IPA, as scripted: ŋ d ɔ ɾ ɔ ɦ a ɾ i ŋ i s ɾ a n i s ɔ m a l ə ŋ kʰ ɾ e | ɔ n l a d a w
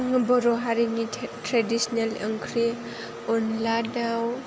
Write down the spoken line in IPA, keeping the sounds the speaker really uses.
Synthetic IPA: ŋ b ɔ ɾ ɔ ɦ a ɾ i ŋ i t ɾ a d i s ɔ n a l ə ŋ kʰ ɾ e | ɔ n l a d a w

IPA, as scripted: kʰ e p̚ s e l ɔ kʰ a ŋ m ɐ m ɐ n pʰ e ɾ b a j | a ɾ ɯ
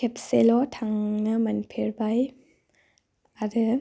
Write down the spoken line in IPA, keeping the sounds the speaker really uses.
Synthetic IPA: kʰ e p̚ s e l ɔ tʰ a ŋ n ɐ m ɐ n pʰ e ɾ b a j | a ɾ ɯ

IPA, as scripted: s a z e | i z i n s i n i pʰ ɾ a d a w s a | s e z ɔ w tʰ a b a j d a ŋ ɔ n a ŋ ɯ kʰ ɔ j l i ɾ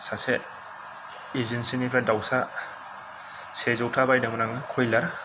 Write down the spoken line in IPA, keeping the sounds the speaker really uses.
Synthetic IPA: s a s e | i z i n s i n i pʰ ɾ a d a w s a | s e z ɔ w tʰ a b a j d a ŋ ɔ n a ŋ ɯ kʰ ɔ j l a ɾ

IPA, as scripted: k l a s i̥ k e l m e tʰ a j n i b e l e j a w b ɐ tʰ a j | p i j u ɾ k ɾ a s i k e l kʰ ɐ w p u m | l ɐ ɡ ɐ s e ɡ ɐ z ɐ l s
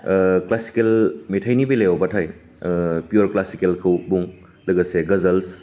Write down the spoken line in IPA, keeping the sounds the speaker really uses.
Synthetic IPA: k l a s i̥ k e l m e tʰ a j n i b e l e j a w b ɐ tʰ a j | p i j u ɾ k l a s i k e l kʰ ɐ w b u ŋ | l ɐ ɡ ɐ s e ɡ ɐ z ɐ l s

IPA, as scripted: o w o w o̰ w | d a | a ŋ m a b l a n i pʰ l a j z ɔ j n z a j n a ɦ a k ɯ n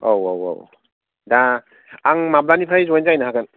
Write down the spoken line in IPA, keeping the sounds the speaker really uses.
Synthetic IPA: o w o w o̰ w | d a | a ŋ m a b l a n i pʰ ɾ a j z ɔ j n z a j n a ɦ a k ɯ n

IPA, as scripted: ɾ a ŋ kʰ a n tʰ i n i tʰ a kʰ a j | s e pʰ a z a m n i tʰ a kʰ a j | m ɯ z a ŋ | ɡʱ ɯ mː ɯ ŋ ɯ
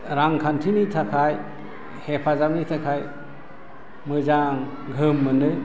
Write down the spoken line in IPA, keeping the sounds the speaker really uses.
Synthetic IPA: ɾ a ŋ kʰ a n tʰ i n i tʰ a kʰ a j | h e pʰ a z a m n i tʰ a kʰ a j | m ɯ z a ŋ | ɡʱ ɯ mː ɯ n ɯ

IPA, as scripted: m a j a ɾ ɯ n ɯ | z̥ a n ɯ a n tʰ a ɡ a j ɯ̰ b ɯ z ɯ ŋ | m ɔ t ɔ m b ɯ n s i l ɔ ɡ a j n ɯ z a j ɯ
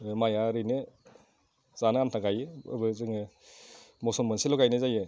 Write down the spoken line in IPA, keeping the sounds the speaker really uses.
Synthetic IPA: m a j a ɾ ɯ n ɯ | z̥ a n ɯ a n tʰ a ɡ a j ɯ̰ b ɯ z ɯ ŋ | m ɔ s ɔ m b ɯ n s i l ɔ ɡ a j n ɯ z a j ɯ

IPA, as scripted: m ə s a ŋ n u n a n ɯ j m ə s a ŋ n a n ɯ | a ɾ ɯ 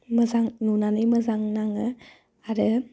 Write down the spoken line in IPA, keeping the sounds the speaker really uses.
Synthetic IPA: m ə z a ŋ n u n a n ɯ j m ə z a ŋ n a ŋ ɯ | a ɾ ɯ

